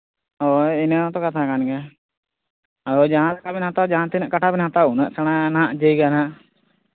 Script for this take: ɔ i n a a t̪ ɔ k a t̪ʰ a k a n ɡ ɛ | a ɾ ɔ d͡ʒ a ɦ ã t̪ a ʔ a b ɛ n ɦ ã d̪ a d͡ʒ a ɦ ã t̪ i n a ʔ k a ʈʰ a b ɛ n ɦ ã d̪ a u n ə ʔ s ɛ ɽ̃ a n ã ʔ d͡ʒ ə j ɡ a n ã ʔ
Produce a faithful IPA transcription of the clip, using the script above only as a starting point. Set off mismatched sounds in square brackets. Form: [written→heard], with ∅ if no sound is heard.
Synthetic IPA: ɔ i n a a t̪ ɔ k a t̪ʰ a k a n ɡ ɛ | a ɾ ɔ d͡ʒ a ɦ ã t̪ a [ʔ→k] a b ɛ n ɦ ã [d̪→t̪] a d͡ʒ a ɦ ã t̪ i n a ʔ k a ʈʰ a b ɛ n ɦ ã [d̪→t̪] a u n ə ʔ s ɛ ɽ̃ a n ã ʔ d͡ʒ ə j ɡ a n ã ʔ